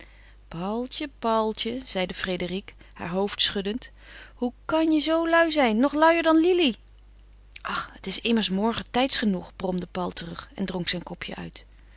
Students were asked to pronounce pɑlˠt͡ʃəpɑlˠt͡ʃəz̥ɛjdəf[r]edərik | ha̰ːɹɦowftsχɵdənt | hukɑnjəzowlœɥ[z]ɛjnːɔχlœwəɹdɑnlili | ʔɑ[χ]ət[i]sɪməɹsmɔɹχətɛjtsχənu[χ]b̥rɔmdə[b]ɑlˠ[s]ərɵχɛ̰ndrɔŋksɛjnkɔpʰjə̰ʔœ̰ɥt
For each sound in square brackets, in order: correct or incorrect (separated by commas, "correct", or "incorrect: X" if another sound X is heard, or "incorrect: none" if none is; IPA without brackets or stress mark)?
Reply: correct, correct, correct, incorrect: ɪ, correct, incorrect: p, incorrect: t